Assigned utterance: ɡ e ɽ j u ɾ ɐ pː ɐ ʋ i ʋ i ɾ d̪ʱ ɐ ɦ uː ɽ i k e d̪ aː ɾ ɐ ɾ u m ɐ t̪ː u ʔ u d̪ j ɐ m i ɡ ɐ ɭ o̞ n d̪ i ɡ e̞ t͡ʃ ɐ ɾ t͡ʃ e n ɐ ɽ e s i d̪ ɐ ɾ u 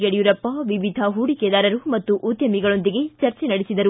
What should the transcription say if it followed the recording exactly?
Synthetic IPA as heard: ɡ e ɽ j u ɾ ɐ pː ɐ ʋ i ʋ i d̪ʱ ɐ ɦ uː ɽ i k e d̪ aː ɾ ɐ ɾ u m ɐ t̪ː u ʔ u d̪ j ɐ m i ɡ ɐ ɭ o̞ n d̪ i ɡ e̞ t͡ʃ ɐ ɾ t͡ʃ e n ɐ ɽ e s i d̪ ɐ ɾ u